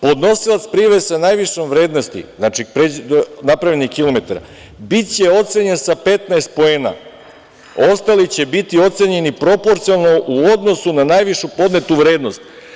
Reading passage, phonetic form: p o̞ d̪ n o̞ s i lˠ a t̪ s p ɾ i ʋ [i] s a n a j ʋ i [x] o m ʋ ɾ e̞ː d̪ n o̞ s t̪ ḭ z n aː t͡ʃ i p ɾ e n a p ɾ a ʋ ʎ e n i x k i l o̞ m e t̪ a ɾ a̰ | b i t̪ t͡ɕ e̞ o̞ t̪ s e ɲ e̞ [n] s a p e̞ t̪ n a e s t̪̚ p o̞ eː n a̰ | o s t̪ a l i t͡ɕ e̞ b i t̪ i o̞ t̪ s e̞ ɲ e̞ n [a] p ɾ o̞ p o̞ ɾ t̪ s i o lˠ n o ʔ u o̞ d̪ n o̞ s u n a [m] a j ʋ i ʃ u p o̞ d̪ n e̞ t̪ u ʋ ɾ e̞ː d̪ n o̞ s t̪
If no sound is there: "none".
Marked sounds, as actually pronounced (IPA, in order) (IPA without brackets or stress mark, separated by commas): e, ʃ, n, i, n